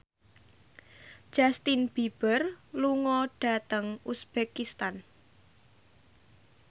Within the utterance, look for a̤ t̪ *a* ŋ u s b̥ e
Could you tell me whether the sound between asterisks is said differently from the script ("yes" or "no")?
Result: yes